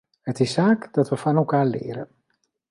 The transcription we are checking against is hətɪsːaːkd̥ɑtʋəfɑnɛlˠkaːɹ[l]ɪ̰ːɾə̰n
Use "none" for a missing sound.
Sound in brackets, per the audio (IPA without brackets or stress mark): l